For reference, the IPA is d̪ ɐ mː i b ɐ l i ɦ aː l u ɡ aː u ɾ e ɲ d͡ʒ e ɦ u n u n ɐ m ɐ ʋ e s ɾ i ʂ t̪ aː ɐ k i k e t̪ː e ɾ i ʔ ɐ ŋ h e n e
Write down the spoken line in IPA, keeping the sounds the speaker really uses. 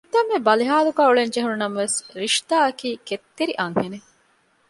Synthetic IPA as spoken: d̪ ɐ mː e b ɐ l i ɦ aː l u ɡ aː u ɭ e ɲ d͡ʒ e ɦ u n u n ɐ m ɐ ʋ e s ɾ i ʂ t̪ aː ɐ k iː k e t̪ː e ɾ i ʔ ɐ ŋ h e n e